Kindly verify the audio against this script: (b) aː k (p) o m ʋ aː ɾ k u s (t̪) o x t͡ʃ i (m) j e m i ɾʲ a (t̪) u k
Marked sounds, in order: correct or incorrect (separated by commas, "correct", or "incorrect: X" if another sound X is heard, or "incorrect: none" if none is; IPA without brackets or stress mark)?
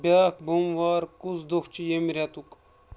correct, incorrect: b, incorrect: d̪, incorrect: none, correct